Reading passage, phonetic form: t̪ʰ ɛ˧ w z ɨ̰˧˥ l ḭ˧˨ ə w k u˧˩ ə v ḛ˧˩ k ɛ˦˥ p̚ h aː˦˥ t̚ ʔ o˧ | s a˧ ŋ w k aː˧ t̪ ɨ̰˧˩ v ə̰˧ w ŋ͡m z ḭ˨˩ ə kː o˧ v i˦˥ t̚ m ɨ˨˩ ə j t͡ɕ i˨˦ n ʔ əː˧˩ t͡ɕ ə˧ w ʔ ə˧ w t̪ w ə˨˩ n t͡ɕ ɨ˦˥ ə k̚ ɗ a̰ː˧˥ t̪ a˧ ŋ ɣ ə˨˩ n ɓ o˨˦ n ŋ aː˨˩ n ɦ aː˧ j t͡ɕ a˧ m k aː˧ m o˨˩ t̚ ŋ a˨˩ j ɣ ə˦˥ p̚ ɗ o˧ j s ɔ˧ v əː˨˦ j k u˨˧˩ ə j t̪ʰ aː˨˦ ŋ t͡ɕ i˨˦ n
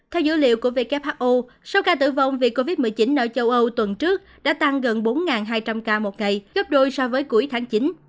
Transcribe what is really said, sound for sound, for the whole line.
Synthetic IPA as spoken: t̪ʰ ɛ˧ w z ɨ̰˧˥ l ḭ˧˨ ə w k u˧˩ ə v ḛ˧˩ k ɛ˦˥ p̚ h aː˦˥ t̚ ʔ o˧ | s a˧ w k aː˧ t̪ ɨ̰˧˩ v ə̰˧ w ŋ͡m v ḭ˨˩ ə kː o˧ v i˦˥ t̚ m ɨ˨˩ ə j t͡ɕ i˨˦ n ʔ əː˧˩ t͡ɕ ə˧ w ʔ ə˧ w t̪ w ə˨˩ n t͡ɕ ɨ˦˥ ə k̚ ɗ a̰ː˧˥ t̪ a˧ ŋ ɣ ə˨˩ n ɓ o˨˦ n ŋ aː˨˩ n ɦ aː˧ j t͡ɕ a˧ m k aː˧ m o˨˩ t̚ ŋ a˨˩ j ɣ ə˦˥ p̚ ɗ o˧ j s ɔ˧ v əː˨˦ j k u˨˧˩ ə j t̪ʰ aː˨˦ ŋ t͡ɕ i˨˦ n